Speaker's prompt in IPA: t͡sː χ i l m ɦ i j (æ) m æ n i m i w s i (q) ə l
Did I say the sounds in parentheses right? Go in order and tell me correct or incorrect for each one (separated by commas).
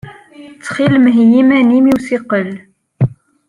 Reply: incorrect, correct